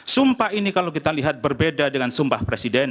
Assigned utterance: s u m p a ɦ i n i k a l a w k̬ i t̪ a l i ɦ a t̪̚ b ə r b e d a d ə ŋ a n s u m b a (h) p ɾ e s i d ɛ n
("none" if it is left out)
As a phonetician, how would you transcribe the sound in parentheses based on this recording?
h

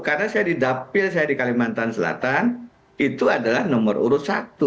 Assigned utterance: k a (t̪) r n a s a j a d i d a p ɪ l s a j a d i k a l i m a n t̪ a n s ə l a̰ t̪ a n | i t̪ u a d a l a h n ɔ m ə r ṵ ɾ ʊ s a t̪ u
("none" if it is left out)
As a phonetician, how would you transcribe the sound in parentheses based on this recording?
none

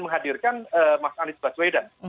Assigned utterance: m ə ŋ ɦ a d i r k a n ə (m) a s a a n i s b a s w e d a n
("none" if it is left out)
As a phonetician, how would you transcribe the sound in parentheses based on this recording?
m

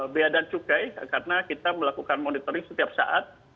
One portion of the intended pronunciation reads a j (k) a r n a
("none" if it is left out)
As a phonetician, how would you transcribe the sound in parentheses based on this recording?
k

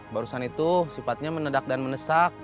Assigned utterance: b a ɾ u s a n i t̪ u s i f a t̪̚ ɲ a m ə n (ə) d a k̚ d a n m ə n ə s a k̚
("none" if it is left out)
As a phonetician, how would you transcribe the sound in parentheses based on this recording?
ə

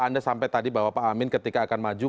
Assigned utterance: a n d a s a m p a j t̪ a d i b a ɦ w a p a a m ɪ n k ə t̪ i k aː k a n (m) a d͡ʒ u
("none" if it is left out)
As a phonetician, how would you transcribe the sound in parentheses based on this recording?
m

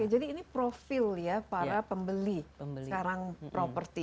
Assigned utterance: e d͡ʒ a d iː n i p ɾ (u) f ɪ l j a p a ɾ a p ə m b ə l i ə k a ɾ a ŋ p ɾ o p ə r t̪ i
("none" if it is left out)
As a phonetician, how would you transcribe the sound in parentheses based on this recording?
o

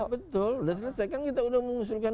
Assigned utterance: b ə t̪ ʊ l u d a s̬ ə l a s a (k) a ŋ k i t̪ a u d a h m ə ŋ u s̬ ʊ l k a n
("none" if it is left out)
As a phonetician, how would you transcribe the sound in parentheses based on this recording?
k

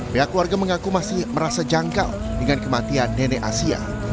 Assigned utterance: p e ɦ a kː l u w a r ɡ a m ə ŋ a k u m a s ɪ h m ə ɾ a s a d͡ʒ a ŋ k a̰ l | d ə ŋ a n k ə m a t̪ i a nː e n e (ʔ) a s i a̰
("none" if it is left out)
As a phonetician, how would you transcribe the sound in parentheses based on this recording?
ʔ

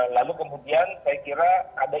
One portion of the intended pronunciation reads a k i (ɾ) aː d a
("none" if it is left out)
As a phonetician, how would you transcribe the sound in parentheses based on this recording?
ɾ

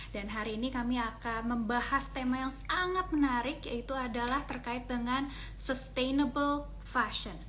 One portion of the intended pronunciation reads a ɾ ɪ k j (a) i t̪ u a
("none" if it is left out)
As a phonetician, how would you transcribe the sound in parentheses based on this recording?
a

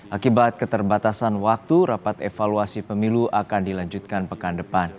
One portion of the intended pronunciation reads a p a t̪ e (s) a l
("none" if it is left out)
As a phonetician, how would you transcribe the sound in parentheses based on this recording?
f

